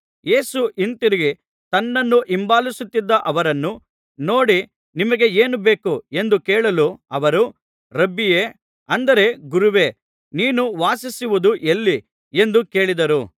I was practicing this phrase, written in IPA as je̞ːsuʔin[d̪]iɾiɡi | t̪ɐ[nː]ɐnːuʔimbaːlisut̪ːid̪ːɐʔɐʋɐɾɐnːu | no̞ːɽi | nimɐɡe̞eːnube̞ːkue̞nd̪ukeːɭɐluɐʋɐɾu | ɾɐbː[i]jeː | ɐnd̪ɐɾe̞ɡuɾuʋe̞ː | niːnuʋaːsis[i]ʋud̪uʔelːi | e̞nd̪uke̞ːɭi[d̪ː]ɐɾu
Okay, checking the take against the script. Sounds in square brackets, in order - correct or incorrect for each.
incorrect: t̪, correct, correct, correct, incorrect: d̪

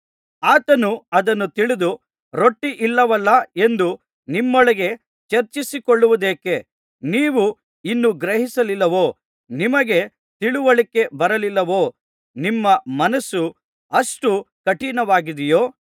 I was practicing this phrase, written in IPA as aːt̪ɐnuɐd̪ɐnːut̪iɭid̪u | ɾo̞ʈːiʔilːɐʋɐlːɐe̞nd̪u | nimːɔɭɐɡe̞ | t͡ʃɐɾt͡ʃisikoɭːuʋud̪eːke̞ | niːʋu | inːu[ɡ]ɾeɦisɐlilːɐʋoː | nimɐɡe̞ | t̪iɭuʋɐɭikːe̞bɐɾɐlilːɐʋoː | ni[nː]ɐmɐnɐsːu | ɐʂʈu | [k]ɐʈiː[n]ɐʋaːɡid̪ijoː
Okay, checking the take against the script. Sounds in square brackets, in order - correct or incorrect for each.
correct, incorrect: mː, correct, correct

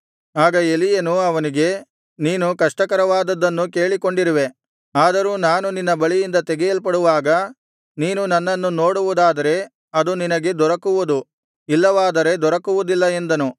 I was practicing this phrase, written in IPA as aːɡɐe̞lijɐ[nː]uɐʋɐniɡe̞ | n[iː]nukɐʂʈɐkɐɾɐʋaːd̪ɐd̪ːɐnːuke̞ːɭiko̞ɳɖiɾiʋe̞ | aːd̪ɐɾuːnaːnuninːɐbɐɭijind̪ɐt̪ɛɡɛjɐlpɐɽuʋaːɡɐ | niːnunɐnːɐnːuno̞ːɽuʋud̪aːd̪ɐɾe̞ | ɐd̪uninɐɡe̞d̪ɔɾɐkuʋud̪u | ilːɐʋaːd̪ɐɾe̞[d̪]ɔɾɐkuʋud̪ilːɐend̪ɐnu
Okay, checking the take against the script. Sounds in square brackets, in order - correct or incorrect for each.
incorrect: n, correct, correct

